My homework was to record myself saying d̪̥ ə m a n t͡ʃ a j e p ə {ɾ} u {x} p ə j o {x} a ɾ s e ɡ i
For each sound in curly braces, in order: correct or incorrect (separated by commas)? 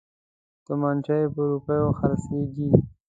correct, incorrect, correct